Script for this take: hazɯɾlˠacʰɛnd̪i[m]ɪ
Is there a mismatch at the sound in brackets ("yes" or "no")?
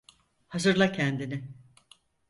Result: yes